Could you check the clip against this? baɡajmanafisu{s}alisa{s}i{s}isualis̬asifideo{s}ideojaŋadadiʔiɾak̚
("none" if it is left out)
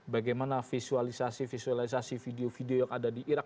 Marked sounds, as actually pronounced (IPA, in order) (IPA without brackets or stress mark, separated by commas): none, s, f, f